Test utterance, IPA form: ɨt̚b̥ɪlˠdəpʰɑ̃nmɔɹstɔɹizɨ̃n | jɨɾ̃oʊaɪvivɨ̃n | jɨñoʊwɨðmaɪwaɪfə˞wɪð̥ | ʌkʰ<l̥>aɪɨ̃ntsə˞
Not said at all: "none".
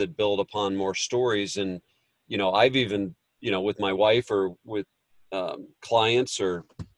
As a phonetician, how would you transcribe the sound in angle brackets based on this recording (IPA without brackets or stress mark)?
l̥